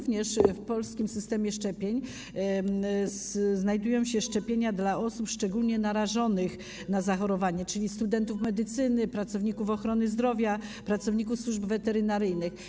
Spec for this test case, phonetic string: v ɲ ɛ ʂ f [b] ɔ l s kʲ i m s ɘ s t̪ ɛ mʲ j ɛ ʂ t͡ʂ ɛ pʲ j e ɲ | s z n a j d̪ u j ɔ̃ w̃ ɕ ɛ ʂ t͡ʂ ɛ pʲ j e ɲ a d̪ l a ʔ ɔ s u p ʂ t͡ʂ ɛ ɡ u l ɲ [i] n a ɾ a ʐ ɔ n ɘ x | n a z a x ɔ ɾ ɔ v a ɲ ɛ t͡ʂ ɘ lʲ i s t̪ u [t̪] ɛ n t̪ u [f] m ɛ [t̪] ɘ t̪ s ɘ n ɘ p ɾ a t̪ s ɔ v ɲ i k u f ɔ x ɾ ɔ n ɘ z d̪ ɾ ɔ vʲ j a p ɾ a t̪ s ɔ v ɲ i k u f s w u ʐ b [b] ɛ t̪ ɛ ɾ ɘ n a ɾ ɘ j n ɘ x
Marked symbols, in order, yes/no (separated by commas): no, no, no, yes, no, no